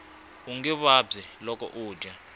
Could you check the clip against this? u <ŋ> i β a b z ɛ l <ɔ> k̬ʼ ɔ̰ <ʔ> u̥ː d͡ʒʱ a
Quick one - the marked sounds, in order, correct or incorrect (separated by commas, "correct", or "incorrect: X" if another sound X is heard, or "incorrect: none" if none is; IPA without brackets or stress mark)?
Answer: correct, correct, correct